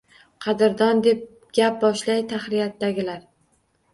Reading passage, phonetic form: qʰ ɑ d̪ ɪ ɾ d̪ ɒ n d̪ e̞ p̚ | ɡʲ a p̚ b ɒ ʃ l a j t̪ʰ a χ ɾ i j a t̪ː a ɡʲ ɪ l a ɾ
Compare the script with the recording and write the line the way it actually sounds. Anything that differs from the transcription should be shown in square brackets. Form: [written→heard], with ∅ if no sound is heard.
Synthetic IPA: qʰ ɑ d̪ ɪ ɾ d̪ ɒ n d̪ e̞ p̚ | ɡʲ a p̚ b ɒ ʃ l a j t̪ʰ a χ ɾ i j a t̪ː a ɡʲ ɪ l a ɾ